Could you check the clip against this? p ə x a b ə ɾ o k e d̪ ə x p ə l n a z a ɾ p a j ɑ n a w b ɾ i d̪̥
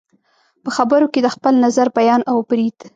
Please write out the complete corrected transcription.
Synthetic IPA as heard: p ə x a b ə ɾ o k e d̪ ə x p ə l n a z a ɾ b a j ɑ n a w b ɾ i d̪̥